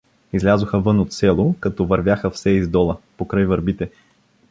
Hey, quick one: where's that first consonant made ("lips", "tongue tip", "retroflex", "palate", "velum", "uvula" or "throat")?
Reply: tongue tip